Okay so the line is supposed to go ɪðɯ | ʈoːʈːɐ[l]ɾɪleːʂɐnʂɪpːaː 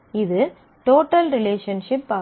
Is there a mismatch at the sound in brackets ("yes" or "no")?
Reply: no